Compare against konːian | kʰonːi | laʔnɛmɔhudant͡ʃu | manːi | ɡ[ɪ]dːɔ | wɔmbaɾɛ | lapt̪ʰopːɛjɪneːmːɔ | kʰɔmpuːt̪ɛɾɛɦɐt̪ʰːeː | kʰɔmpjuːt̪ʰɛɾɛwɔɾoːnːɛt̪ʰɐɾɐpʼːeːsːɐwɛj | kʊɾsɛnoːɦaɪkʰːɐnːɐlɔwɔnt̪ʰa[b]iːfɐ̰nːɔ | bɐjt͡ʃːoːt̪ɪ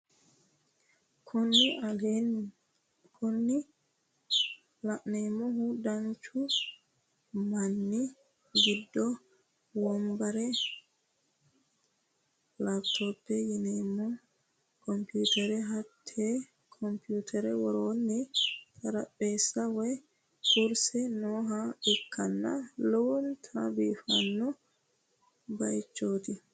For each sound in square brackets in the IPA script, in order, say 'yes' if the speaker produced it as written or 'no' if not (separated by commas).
no, yes